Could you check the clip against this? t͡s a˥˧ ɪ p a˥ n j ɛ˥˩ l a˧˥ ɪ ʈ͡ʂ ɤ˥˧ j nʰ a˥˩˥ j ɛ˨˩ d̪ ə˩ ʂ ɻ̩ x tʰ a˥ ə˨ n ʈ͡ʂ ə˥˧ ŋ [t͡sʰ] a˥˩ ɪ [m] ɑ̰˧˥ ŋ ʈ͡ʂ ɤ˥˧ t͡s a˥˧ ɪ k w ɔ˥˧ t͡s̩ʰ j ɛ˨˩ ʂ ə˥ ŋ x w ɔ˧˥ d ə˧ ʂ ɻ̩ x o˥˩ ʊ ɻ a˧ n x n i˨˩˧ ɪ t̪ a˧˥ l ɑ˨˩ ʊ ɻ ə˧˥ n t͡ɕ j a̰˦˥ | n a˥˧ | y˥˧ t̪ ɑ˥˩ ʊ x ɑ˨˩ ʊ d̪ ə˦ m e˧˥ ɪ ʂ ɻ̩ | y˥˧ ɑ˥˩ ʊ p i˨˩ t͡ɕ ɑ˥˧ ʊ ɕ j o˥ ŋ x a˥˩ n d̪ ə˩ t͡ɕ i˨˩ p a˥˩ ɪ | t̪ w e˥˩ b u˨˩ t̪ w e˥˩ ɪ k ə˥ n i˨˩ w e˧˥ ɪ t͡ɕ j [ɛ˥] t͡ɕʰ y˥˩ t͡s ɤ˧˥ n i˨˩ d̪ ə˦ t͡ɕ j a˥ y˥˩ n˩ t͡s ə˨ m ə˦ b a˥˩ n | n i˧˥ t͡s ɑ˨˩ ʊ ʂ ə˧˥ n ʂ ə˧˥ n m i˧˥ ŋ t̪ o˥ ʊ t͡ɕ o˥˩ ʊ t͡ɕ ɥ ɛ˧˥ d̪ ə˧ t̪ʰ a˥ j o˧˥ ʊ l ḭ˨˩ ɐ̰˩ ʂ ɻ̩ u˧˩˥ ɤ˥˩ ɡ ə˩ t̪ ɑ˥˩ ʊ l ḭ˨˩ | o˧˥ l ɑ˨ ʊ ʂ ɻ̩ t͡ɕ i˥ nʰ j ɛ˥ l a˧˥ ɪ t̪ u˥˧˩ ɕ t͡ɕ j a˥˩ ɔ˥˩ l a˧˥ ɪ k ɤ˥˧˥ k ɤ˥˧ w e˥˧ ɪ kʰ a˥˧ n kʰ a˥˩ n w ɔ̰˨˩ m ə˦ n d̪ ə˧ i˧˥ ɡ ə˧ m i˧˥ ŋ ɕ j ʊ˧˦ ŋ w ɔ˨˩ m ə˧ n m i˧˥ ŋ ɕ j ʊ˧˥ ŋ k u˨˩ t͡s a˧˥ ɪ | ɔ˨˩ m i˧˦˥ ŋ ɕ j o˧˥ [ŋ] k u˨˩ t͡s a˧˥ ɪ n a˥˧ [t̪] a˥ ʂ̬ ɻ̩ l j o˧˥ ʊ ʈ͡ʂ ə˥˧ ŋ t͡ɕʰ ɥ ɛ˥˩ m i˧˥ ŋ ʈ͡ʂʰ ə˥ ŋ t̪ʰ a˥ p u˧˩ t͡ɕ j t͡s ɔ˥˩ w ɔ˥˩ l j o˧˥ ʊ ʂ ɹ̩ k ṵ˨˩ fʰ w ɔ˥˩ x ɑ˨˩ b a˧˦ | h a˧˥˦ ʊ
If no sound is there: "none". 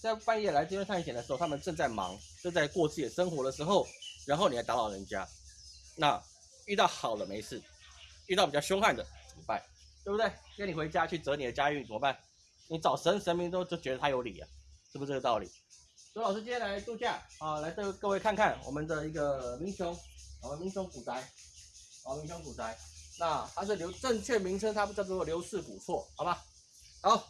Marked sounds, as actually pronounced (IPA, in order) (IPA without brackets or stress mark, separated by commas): t͡s, m, a˥, ŋ, t̪ʰ